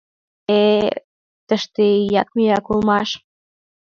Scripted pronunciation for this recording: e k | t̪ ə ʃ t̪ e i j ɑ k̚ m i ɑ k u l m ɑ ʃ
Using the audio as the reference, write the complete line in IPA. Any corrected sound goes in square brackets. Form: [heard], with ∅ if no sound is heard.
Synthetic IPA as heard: e [∅] | t̪ ə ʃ t̪ e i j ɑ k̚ m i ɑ k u l m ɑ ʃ